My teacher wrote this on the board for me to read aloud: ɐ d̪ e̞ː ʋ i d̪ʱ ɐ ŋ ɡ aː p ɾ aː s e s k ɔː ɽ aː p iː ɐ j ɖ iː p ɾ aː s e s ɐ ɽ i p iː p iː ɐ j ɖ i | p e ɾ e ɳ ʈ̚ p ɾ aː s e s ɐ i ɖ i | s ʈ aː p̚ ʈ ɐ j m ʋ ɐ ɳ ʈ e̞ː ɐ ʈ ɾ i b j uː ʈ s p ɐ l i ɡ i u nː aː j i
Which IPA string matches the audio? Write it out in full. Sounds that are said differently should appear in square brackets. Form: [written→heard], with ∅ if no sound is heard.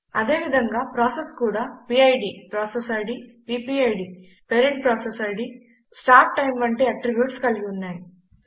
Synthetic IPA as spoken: ɐ d̪ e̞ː ʋ i d̪ʱ ɐ ŋ ɡ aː p ɾ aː s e s k [ɔː→uː] ɽ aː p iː ɐ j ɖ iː p ɾ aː s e s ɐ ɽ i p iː p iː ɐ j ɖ i | p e ɾ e ɳ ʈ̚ p ɾ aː s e s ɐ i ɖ i | s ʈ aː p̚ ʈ ɐ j m ʋ ɐ ɳ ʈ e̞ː ɐ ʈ ɾ i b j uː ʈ s [p→k] ɐ l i ɡ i u nː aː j i